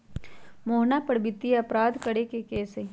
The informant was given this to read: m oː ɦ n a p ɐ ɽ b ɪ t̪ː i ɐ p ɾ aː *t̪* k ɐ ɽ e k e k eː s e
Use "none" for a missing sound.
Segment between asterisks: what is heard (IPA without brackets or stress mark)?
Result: d̪